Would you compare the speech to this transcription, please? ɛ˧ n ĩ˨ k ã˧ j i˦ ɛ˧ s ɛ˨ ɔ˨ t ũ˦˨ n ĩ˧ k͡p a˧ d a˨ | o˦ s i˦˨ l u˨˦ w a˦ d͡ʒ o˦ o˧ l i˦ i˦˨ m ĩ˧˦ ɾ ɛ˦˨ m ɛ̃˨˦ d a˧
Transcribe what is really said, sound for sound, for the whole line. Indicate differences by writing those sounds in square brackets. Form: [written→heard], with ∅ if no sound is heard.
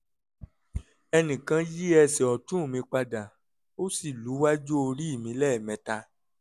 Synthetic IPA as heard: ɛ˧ n ĩ˨ k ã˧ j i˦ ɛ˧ s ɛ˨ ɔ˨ t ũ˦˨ [n→m] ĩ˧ k͡p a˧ d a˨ | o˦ s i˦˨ l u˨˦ w a˦ d͡ʒ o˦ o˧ [l→ɾ] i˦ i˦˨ m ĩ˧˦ [ɾ→l] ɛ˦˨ m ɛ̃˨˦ [d→t] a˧

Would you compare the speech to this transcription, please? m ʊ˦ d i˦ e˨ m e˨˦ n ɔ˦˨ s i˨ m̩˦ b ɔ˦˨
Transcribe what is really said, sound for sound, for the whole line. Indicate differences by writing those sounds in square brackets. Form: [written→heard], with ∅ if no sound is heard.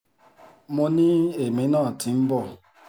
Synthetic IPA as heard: m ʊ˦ [d→n] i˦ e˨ m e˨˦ n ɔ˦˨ [s→t] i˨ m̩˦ b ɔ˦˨

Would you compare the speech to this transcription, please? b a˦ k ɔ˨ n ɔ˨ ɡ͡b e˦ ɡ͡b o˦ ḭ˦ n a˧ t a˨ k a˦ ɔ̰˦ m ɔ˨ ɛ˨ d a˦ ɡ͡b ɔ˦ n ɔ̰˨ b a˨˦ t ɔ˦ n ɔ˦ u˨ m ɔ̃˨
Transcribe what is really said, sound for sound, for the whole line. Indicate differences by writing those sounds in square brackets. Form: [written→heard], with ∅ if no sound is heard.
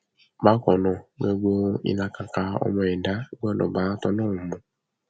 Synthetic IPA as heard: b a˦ k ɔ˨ n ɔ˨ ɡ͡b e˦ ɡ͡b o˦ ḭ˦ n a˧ [t→k] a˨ k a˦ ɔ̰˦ m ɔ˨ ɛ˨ d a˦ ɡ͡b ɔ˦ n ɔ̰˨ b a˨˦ t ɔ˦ n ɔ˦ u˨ m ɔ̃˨

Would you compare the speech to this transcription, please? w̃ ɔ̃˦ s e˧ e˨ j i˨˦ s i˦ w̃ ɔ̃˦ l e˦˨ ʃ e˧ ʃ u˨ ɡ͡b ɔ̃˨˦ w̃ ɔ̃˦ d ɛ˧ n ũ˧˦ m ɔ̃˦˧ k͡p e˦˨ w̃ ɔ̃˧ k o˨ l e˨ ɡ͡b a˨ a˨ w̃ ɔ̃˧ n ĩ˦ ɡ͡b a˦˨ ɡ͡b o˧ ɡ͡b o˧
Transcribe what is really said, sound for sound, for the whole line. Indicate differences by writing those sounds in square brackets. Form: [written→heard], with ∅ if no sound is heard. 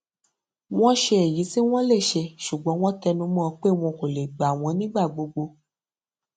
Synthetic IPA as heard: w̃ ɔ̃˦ [s→ʃ] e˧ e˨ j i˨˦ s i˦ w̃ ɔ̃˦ l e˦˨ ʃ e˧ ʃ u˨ ɡ͡b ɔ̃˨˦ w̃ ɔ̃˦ [d→t] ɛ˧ n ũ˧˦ m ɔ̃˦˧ k͡p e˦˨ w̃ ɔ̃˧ k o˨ l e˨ ɡ͡b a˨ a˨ w̃ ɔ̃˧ n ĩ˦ ɡ͡b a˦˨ ɡ͡b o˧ ɡ͡b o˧

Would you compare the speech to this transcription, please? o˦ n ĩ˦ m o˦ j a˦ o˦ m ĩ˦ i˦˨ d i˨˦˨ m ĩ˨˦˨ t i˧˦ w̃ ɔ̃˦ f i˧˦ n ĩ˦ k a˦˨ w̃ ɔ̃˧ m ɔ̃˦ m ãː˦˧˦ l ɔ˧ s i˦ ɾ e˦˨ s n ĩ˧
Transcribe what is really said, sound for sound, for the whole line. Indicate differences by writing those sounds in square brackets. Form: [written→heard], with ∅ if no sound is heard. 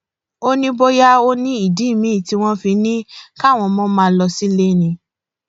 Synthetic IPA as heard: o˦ n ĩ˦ [m→b] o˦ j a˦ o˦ [m→n] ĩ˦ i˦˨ d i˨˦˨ m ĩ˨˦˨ t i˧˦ w̃ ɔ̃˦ f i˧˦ n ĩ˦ k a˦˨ w̃ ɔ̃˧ m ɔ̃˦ m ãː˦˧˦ l ɔ˧ s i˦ [ɾ→l] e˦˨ [s→∅] n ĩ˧

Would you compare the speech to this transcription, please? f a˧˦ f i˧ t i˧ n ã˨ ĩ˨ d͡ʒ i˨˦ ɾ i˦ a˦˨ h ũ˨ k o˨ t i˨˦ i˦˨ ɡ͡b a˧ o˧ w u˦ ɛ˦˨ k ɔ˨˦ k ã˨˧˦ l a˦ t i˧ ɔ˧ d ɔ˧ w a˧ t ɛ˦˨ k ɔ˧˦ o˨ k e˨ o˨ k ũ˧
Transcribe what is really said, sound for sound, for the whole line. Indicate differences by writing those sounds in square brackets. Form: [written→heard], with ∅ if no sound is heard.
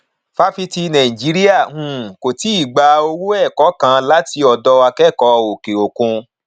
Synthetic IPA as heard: f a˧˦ f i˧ t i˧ n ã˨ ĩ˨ d͡ʒ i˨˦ ɾ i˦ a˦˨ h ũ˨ k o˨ t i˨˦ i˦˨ ɡ͡b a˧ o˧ w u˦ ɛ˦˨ k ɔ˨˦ k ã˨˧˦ l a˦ t i˧ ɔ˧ d ɔ˧ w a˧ [t→k] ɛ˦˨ k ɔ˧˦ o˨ k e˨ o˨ k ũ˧

